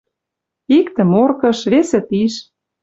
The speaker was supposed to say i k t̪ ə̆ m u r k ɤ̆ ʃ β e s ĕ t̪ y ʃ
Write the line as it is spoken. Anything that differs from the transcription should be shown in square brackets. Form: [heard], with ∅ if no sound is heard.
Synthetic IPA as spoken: i k t̪ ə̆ m [o] r k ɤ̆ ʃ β e s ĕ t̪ [i] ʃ